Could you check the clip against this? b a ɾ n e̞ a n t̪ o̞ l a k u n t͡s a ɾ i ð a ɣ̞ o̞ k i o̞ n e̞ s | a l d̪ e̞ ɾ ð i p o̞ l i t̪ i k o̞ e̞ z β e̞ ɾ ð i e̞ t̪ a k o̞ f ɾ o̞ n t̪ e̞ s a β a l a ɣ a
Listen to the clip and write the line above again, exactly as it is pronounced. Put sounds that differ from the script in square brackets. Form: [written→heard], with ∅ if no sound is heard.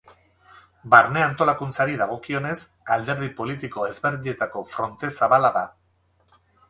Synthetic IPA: b a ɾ n e̞ a n t̪ o̞ l a k u n t͡s a ɾ i ð a ɣ̞ o̞ k i o̞ n e̞ s | a l d̪ e̞ ɾ ð i p o̞ l i t̪ i k o̞ e̞ z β e̞ ɾ ð i e̞ t̪ a k o̞ f ɾ o̞ n t̪ e̞ s a β a l a [ɣ→ð] a